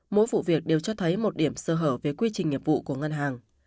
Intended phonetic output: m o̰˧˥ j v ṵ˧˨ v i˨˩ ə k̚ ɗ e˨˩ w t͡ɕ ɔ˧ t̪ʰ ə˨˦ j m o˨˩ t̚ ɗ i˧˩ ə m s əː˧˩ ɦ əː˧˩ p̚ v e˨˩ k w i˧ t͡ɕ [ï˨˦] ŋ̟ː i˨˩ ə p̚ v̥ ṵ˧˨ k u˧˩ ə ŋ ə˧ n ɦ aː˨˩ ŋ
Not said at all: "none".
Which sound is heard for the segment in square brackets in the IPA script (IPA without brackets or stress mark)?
ï˨˩